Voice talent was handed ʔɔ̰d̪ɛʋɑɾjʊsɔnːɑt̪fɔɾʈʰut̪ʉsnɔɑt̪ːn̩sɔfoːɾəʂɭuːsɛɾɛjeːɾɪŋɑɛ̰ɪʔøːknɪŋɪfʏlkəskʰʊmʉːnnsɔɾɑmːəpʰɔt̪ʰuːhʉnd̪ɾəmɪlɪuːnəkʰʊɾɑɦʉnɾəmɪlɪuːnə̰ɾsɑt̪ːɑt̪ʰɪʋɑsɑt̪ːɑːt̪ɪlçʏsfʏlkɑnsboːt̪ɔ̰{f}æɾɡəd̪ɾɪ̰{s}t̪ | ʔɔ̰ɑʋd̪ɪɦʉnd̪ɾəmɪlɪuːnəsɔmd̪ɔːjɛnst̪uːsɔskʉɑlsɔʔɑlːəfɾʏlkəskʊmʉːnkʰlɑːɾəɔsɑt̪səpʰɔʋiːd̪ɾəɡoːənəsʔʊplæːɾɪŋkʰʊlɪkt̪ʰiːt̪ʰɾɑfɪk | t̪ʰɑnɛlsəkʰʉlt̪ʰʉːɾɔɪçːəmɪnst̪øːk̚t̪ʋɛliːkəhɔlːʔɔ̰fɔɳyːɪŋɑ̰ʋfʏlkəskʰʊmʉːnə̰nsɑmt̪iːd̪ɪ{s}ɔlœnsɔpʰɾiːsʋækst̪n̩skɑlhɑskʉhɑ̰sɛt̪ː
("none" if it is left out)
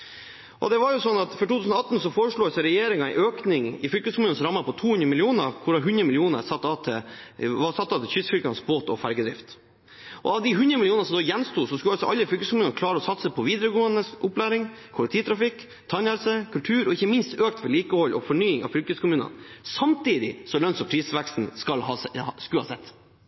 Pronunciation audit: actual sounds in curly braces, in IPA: f, f, s

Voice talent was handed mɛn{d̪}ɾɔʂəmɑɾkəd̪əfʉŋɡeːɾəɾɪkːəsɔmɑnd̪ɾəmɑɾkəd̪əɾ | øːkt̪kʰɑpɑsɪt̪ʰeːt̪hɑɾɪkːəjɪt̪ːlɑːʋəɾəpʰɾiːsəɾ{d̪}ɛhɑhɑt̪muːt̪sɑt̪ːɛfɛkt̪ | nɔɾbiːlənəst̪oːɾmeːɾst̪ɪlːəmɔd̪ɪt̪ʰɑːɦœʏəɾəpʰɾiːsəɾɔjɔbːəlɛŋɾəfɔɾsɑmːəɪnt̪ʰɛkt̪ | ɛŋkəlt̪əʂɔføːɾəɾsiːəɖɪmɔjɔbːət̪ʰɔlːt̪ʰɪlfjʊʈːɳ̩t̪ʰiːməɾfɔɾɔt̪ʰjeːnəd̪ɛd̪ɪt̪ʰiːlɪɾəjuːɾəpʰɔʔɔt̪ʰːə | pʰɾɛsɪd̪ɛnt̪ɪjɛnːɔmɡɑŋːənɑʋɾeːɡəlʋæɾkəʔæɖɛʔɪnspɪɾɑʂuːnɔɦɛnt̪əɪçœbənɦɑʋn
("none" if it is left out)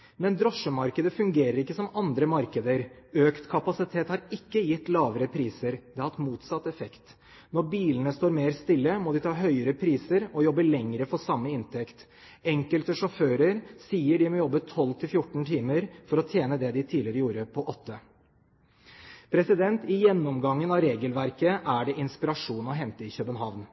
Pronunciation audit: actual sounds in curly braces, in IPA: d̪, d̪

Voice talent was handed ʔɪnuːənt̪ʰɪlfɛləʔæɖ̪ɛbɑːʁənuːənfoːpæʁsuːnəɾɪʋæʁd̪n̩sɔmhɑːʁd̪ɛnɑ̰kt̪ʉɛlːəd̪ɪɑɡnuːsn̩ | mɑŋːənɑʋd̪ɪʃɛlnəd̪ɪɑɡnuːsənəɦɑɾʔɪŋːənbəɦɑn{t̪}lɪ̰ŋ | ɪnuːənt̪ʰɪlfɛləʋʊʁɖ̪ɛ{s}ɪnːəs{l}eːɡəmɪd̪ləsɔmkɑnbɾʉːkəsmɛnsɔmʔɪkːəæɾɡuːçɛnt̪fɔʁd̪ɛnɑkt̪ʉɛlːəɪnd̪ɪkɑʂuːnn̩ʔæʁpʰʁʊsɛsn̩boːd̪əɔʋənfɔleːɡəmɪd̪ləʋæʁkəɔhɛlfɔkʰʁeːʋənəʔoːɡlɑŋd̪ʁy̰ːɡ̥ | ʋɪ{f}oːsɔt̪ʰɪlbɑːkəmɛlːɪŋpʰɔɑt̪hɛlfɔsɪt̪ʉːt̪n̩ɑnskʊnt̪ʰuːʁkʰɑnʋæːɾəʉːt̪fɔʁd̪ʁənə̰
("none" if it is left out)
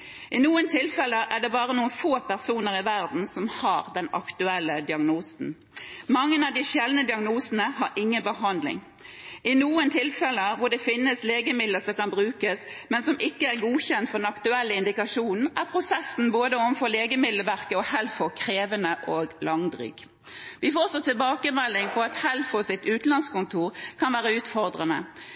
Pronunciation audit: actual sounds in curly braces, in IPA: d̪, f, l, f

